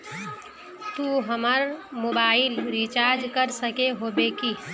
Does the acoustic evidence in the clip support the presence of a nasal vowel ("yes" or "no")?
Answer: no